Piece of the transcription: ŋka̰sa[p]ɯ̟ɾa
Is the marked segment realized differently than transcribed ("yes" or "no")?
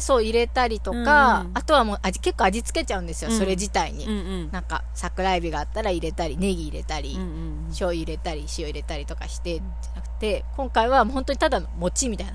yes